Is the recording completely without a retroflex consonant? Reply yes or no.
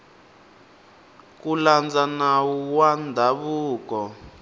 yes